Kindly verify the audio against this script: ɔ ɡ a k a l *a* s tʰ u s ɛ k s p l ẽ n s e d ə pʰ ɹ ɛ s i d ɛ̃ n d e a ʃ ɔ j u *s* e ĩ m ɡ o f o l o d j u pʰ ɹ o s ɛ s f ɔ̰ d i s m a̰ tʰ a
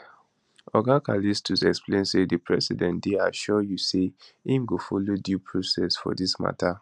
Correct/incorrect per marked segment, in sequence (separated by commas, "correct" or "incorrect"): incorrect, correct